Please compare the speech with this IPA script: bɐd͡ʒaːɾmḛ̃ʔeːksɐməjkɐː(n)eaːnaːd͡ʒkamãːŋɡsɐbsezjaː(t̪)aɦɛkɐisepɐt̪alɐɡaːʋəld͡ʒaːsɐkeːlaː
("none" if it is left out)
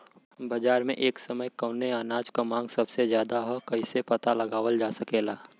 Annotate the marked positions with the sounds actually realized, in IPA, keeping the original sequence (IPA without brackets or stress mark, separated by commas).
n, d̪